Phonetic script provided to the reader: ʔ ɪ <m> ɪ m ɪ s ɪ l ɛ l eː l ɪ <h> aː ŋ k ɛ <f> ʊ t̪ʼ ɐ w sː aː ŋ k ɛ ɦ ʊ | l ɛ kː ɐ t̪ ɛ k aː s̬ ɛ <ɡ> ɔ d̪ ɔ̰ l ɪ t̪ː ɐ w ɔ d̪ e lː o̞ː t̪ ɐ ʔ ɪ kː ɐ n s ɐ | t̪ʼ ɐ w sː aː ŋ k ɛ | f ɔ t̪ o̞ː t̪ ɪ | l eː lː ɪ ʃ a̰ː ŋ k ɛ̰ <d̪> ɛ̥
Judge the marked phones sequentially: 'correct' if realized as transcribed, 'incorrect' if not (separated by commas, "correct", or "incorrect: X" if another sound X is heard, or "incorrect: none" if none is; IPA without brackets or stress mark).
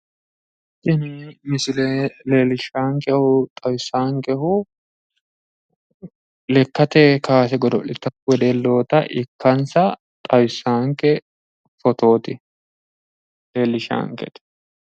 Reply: incorrect: n, incorrect: ʃ, incorrect: h, correct, incorrect: t̪